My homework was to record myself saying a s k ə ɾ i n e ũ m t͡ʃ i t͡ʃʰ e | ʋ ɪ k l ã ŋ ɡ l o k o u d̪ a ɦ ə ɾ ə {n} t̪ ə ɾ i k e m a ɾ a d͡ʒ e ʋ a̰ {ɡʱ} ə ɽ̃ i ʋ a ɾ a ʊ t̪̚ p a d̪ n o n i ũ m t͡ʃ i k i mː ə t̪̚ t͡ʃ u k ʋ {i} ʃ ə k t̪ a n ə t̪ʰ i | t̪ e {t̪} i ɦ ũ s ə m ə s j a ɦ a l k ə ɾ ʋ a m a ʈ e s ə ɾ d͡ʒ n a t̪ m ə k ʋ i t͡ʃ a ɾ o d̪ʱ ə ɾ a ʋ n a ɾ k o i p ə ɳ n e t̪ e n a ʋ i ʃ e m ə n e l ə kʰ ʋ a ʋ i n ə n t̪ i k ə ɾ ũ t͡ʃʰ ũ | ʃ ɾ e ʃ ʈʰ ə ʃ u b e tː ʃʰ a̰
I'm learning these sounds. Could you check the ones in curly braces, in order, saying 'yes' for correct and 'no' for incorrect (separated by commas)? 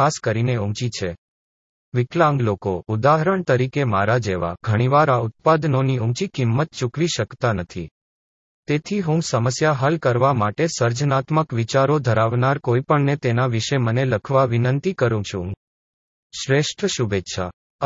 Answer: no, yes, yes, no